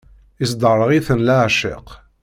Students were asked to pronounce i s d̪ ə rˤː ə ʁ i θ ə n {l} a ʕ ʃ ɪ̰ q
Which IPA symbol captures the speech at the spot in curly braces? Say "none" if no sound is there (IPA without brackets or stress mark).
l